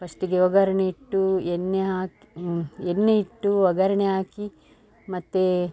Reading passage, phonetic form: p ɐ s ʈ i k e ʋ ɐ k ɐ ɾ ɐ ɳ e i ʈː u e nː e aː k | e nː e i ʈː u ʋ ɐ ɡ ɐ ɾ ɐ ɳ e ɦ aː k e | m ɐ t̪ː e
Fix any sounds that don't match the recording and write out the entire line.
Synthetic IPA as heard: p ɐ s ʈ i ɡ e ʋ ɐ ɡ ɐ ɾ ɐ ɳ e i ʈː u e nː e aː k | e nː e i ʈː u ʋ ɐ ɡ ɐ ɾ ɐ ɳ e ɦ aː k i | m ɐ t̪ː e